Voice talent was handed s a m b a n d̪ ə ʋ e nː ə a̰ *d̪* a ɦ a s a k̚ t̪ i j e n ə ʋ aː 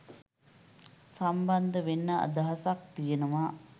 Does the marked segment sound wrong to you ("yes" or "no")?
no